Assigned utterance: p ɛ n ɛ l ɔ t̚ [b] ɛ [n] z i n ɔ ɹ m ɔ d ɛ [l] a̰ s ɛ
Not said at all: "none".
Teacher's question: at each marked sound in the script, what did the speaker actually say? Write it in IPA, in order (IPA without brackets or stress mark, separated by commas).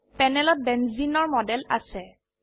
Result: b, n, l